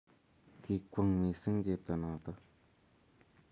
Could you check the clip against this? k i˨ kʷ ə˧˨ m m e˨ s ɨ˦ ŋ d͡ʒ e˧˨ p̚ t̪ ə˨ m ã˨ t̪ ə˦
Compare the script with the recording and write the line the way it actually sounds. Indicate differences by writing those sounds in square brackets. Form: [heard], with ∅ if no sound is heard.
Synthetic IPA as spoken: k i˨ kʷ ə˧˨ [ŋ] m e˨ s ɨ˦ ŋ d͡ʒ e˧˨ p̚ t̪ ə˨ [n] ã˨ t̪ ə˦